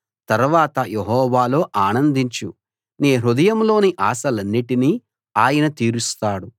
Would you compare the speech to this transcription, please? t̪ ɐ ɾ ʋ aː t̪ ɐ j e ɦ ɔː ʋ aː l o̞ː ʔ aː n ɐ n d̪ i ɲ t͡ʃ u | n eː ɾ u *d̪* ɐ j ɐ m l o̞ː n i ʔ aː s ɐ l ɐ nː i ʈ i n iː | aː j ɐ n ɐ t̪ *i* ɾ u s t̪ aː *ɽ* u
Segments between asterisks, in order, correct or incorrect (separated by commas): correct, incorrect, correct